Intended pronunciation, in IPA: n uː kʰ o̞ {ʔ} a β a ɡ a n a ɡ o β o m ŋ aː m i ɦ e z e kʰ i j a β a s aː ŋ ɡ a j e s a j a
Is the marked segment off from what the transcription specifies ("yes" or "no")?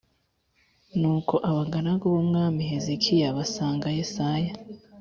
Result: no